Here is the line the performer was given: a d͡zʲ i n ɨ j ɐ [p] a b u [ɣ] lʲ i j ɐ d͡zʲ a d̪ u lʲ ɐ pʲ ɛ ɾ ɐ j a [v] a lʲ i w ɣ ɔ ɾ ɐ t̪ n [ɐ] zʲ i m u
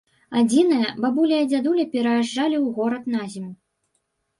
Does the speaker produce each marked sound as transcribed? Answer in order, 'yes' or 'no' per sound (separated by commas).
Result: no, no, no, no